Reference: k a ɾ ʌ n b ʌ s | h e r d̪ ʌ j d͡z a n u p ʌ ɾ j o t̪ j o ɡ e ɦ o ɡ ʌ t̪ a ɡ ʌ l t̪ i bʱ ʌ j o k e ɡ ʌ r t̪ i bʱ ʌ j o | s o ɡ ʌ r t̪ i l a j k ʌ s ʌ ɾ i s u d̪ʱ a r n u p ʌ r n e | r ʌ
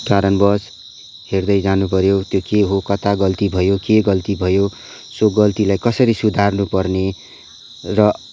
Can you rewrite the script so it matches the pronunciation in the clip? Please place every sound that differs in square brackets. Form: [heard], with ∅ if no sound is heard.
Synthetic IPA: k a ɾ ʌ n b ʌ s | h e r d̪ ʌ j d͡z a n u p ʌ ɾ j o t̪ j o [k] e ɦ o [k] ʌ t̪ a ɡ ʌ l t̪ i bʱ ʌ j o k e ɡ ʌ [l] t̪ i bʱ ʌ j o | s o ɡ ʌ [l] t̪ i l a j k ʌ s ʌ ɾ i s u d̪ʱ a r n u p ʌ r n e | r ʌ